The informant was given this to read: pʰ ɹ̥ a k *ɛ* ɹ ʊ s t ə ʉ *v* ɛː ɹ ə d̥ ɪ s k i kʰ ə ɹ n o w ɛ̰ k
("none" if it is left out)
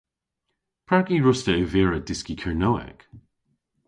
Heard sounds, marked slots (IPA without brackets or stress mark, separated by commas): i, v